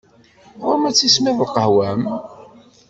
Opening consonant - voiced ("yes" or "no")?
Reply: yes